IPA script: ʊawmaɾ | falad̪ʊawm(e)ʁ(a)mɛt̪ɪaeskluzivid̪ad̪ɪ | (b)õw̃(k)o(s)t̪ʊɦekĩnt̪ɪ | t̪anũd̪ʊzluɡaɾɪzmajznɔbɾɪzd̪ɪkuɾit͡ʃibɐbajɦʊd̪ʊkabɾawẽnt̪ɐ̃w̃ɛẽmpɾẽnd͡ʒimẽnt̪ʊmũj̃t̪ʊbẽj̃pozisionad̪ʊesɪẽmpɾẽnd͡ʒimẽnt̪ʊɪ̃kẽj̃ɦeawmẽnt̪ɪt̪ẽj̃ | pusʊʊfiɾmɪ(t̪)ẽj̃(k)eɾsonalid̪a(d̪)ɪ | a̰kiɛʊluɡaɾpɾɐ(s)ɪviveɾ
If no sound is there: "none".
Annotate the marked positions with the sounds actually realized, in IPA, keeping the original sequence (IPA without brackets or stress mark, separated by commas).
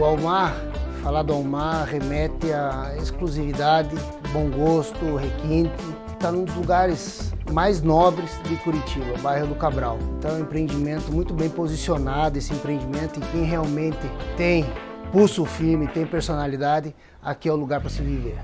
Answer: a, e, b, ɡ, s, t̪, p, d̪, s